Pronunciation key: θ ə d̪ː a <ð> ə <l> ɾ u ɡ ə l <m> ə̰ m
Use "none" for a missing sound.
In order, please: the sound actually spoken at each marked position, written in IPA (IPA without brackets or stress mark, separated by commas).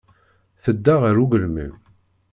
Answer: ʁ, none, m